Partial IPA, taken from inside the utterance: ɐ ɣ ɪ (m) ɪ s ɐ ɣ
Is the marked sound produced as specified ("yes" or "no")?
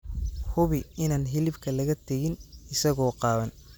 no